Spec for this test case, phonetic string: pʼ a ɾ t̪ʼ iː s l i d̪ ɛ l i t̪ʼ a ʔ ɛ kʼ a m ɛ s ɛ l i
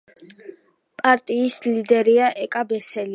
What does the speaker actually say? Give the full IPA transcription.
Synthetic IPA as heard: pʼ a ɾ t̪ʼ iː s l i d̪ ɛ ɾ i a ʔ ɛ kʼ a b ɛ s ɛ l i